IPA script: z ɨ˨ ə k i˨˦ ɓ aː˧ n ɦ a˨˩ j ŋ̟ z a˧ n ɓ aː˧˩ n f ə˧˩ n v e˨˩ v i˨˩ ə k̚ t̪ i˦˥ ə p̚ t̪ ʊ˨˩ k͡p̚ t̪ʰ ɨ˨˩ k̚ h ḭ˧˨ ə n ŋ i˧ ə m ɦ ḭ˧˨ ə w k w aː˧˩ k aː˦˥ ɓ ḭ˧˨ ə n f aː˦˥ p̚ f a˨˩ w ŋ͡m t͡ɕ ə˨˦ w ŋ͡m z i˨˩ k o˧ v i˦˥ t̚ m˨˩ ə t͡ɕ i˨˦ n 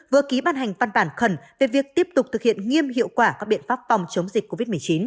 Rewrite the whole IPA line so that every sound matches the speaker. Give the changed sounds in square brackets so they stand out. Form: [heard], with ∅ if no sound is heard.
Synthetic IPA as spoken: [v] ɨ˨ ə k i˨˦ ɓ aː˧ n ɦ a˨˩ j ŋ̟ [v] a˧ n ɓ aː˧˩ n [x] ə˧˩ n v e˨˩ v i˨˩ ə k̚ t̪ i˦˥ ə p̚ t̪ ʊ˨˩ k͡p̚ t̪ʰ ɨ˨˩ k̚ h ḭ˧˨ ə n ŋ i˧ ə m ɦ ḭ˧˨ ə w k w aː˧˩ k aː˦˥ ɓ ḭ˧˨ ə n f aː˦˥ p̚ f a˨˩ w ŋ͡m t͡ɕ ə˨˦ w ŋ͡m z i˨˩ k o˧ v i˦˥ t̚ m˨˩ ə t͡ɕ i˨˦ n